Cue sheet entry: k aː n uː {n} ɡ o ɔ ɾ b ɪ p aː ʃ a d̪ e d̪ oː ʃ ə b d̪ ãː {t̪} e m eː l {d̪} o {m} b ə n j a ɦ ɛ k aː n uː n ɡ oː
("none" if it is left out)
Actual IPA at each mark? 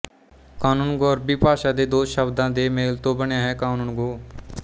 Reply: n, d̪, t̪, none

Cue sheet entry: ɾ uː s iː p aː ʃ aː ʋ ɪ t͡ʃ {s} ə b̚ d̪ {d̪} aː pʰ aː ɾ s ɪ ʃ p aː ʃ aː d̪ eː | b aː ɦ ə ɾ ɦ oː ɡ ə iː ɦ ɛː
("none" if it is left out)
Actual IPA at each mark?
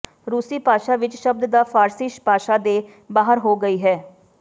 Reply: ʃ, d̪

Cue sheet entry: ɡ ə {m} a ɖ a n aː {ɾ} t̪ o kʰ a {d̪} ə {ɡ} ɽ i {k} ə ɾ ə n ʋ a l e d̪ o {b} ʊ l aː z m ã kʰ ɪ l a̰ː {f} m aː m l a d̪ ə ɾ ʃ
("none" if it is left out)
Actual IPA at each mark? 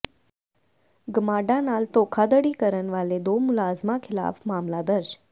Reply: m, l, d̪, none, k, m, f

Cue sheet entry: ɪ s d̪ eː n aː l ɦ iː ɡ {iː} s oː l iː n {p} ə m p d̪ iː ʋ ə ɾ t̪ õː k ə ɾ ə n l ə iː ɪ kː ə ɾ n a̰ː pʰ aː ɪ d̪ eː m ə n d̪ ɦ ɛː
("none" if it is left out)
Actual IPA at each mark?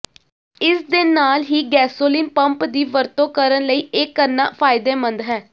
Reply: ɛː, p

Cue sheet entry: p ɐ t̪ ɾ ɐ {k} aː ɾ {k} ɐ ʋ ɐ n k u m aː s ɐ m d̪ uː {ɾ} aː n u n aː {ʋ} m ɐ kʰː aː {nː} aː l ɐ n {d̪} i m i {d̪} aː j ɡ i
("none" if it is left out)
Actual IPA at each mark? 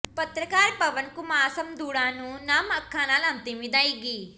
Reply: k, p, ɽ, none, n, t̪, d̪

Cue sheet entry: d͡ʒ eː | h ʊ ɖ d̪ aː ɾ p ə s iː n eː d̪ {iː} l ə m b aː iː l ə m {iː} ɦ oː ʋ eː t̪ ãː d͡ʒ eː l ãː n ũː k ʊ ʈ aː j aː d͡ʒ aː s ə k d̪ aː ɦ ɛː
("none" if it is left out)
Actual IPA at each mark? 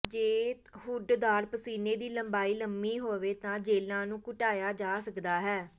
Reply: iː, iː

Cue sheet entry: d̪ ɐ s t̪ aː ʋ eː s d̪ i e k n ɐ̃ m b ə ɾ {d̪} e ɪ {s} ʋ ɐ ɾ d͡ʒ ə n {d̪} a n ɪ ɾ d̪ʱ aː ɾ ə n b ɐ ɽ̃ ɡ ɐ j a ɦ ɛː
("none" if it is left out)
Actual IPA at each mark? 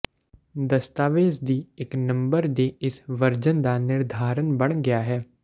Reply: d̪, s, d̪

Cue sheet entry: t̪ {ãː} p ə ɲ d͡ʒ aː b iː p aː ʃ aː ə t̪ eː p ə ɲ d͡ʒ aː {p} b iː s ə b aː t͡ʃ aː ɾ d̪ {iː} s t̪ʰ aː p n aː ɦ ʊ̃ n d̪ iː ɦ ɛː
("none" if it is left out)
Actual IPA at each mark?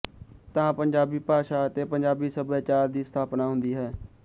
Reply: ãː, none, iː

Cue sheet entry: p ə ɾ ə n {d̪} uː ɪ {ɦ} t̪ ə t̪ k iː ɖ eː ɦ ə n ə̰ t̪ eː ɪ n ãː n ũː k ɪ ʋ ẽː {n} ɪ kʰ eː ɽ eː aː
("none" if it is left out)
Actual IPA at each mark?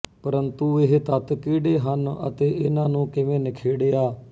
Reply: t̪, ɦ, n

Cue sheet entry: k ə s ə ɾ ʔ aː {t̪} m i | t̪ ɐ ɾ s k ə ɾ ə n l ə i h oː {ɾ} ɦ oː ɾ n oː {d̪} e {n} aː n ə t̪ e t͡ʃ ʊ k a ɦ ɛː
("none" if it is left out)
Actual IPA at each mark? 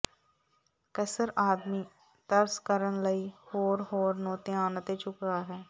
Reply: d̪, ɾ, t̪, none

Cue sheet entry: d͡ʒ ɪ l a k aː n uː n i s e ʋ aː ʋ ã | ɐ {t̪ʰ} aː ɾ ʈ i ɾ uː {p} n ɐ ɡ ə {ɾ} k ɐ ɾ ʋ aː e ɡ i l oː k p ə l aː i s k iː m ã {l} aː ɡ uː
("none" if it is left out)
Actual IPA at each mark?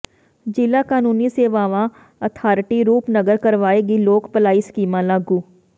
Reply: t̪ʰ, p, ɾ, l

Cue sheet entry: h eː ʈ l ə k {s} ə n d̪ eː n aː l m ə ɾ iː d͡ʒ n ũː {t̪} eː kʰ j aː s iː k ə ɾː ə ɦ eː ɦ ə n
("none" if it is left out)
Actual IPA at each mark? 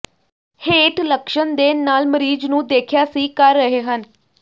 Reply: ʃ, d̪

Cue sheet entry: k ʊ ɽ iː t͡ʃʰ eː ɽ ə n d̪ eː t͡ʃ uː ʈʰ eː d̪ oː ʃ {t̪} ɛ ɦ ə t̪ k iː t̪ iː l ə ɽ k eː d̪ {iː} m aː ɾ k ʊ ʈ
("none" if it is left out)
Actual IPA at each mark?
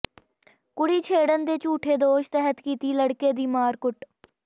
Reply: t̪, iː

